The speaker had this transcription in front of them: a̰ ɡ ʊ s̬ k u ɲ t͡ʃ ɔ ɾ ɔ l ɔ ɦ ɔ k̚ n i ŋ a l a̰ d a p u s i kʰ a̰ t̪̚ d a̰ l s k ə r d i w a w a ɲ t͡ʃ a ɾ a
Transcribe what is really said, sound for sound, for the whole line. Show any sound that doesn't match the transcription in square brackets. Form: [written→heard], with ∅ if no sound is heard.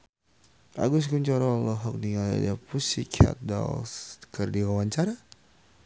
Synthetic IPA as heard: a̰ ɡ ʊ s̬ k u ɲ t͡ʃ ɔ ɾ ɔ l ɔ ɦ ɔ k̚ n i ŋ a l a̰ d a p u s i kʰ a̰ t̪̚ d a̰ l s k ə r d i w a w a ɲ t͡ʃ a ɾ a